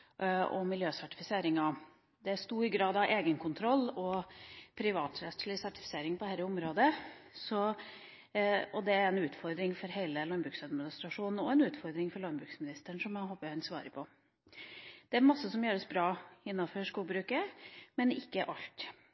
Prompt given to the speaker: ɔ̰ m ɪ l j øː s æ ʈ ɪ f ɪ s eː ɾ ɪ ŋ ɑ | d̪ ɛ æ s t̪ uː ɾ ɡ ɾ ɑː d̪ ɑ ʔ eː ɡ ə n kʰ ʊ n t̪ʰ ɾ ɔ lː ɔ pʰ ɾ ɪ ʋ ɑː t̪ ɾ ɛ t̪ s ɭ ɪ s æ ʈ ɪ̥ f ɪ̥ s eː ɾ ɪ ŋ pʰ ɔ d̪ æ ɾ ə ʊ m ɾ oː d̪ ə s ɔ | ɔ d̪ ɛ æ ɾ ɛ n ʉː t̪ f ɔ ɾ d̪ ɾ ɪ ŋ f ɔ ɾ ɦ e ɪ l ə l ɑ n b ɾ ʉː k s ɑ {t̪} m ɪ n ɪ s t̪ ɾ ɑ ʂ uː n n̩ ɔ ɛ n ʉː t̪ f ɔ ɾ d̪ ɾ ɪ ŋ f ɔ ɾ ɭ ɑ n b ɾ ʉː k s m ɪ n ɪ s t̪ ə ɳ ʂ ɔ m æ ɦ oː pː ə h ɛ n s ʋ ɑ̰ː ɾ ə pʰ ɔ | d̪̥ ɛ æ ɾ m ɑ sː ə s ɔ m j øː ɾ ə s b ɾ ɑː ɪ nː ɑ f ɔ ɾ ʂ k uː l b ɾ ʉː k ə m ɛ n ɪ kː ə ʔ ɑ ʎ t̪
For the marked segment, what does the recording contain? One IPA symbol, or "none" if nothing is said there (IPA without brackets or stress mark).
d̪